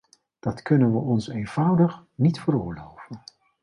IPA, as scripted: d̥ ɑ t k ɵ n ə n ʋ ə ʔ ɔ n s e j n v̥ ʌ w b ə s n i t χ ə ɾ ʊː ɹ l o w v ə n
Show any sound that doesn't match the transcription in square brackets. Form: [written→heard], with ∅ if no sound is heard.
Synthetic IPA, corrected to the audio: d̥ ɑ t k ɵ n ə n ʋ ə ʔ ɔ n s e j n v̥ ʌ w [b→d] ə [s→χ] n i t [χ→f] ə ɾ ʊː ɹ l o w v ə n